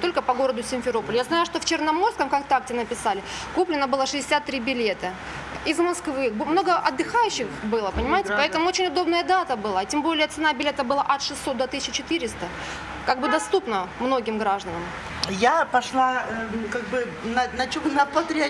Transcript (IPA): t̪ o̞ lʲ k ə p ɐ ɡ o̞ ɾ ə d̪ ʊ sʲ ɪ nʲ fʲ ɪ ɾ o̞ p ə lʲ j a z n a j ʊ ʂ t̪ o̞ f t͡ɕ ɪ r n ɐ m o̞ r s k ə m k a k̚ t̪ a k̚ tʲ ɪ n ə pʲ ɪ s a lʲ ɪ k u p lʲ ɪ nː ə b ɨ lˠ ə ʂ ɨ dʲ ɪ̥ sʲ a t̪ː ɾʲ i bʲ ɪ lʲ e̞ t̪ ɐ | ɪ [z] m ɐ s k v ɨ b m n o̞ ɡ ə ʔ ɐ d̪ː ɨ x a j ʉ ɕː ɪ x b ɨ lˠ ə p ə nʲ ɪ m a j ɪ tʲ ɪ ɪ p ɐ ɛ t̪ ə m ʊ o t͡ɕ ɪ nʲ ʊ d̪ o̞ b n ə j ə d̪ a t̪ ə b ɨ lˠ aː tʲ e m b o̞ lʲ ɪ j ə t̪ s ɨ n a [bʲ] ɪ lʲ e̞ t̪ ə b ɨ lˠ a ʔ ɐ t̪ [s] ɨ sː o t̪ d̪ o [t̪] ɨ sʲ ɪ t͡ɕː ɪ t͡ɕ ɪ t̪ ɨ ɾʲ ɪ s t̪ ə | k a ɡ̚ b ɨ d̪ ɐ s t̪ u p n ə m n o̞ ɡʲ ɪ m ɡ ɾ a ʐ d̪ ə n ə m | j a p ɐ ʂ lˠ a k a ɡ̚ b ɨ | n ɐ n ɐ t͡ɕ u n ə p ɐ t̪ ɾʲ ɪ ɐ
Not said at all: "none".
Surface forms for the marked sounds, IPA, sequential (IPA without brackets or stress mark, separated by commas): z, bʲ, ʂ, t̪